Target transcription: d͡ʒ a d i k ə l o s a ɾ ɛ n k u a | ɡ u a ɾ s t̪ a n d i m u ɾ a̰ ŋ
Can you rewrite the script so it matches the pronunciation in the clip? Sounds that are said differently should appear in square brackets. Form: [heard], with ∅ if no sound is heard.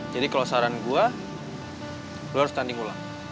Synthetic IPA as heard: d͡ʒ a d i k [a] l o s a ɾ [a] n [ɡ] u a | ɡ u a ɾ s t̪ a n d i [ŋ] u [l] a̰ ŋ